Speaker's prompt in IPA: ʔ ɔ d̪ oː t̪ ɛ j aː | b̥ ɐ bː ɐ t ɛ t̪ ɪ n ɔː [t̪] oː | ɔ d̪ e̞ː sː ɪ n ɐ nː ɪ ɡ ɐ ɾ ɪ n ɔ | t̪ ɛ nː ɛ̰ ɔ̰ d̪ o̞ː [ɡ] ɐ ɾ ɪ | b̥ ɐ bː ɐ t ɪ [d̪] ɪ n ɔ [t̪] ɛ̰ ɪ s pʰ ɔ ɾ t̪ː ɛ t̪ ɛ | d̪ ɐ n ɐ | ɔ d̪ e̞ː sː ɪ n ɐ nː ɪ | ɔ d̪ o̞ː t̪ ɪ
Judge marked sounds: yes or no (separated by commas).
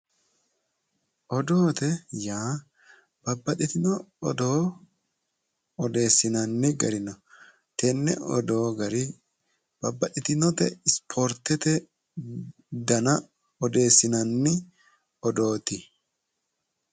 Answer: no, yes, no, yes